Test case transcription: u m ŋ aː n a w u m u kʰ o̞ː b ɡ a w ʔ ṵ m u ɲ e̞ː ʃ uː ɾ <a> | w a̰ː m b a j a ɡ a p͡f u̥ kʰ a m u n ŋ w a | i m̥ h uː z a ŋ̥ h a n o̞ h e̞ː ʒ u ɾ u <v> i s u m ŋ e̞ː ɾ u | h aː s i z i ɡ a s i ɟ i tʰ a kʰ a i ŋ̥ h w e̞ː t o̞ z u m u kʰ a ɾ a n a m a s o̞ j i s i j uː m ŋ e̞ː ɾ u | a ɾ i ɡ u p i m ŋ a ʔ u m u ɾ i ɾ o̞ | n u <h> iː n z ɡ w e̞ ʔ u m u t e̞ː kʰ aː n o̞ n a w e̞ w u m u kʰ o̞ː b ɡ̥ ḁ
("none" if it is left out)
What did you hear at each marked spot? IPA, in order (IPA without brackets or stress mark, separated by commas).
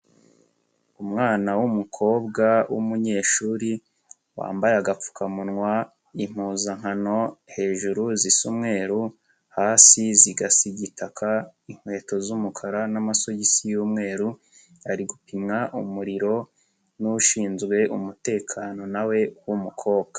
i, z, ʃ